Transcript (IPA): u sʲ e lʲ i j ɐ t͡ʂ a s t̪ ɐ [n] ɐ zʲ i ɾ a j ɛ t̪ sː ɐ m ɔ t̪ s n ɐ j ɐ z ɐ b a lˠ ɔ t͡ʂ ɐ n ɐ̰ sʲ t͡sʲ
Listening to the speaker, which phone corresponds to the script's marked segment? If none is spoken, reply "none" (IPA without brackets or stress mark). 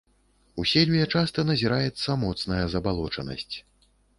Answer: n